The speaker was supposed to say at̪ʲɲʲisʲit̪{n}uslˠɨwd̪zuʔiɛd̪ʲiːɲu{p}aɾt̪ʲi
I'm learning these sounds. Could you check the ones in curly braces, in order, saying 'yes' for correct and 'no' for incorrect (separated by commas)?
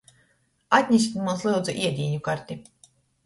no, no